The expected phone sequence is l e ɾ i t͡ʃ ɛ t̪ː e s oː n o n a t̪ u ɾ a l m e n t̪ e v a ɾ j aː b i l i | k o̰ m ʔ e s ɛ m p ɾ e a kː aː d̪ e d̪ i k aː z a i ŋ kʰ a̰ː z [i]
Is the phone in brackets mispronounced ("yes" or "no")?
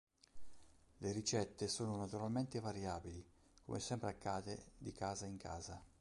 yes